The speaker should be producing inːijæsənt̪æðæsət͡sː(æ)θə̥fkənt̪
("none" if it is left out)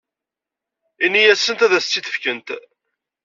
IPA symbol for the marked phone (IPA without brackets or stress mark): i